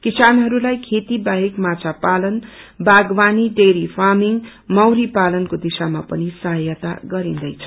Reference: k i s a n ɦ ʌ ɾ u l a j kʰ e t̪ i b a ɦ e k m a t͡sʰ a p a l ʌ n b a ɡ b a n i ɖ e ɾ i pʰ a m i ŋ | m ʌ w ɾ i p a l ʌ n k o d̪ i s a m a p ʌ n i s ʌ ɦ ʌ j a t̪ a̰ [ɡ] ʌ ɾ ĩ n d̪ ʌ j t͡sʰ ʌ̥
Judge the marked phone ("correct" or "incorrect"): correct